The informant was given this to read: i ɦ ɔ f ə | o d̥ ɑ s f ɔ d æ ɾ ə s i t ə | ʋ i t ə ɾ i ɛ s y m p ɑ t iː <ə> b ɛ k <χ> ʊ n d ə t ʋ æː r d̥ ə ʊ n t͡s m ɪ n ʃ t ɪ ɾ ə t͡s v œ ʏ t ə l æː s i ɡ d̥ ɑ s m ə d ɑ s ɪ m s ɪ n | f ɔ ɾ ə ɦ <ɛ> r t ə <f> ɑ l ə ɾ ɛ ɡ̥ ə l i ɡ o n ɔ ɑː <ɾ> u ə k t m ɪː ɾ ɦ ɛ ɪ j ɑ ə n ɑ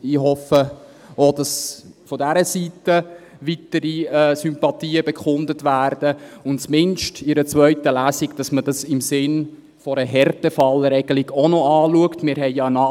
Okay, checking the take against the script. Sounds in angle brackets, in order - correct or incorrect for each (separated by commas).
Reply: correct, correct, correct, correct, incorrect